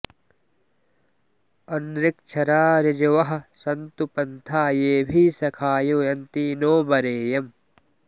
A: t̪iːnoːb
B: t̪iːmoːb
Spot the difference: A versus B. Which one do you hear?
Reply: A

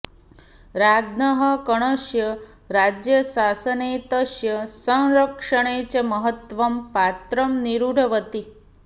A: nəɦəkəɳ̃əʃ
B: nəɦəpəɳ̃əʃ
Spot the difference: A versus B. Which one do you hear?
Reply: A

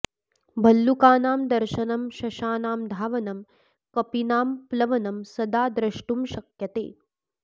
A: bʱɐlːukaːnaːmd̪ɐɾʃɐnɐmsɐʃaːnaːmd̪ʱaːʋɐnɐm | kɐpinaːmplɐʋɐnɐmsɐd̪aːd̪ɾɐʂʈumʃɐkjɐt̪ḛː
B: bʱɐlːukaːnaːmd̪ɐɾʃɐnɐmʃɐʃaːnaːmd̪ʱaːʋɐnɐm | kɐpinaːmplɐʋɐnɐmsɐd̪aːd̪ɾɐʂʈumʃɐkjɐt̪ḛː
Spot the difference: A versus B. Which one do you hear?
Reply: B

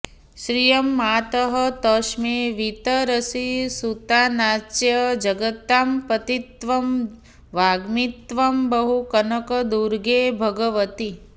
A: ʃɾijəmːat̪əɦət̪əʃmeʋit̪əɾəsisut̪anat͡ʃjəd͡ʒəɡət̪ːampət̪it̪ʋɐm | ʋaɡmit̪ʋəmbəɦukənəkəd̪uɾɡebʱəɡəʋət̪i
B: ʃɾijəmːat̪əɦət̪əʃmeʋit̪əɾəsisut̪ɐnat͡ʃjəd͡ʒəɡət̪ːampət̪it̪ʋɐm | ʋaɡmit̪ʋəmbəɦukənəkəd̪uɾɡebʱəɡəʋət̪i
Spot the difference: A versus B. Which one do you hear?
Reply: A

